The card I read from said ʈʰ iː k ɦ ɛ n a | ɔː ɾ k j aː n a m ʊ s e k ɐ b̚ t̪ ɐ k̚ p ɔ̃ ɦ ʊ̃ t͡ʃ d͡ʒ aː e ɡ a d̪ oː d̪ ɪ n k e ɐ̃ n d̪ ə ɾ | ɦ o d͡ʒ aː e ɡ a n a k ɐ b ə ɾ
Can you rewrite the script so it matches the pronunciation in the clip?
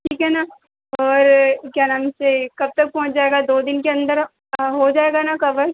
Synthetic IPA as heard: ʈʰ iː k ɦ ɛ n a | ɔː ɾ k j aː n a m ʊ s e k ɐ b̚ t̪ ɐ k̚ p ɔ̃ ɦ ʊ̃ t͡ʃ d͡ʒ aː e ɡ a d̪ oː d̪ ɪ n k e ɐ̃ n d̪ ə ɾ | ɦ o d͡ʒ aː e ɡ a n a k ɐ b ə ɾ